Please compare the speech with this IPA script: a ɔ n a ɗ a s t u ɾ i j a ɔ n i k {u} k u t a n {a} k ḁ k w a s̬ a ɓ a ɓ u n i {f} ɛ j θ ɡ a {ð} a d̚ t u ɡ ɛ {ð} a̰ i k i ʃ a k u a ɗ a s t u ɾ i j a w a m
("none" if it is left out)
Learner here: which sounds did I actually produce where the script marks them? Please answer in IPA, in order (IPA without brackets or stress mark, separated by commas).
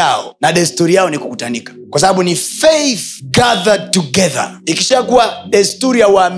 u, i, f, ð, ð